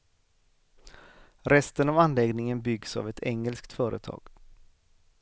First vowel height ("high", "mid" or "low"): mid